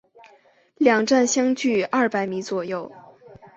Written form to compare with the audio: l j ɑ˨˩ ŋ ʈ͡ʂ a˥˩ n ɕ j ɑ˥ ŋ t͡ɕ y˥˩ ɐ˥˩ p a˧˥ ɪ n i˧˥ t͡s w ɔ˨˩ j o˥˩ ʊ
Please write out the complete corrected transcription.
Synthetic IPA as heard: l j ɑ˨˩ ŋ ʈ͡ʂ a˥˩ n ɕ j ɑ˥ ŋ t͡ɕ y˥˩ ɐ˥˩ p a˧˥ ɪ m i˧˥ t͡s w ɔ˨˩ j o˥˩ ʊ